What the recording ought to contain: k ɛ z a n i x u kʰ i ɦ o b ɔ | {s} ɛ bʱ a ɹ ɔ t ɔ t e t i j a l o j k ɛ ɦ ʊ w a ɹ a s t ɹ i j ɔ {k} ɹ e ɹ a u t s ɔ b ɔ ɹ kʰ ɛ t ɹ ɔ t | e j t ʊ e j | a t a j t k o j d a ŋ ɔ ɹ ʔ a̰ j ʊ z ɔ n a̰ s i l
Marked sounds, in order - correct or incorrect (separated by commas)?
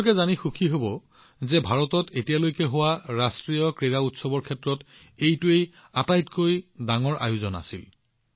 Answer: incorrect, correct